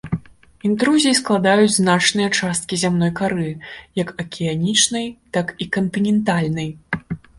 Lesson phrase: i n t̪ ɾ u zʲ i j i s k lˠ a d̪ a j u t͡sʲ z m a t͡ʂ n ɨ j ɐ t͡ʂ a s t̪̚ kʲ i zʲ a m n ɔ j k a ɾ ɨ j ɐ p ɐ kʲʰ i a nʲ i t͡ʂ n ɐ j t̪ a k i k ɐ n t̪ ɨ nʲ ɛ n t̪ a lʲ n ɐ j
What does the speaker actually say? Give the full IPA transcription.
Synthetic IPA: i n t̪ ɾ u zʲ i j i s k lˠ a d̪ a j u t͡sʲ z n a t͡ʂ n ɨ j ɐ t͡ʂ a s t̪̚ kʲ i zʲ a m n ɔ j k a ɾ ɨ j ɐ k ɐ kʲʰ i a nʲ i t͡ʂ n ɐ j t̪ a k i k ɐ n t̪ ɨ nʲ ɛ n t̪ a lʲ n ɐ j